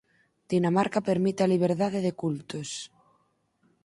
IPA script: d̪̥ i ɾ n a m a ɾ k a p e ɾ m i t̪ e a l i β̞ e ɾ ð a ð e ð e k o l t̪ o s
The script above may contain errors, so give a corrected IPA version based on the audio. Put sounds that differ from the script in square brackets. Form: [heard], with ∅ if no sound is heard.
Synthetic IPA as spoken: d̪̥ i [∅] n a m a ɾ k a p e ɾ m i t̪ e a l i β̞ e ɾ ð a ð e ð e k [u] l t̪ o s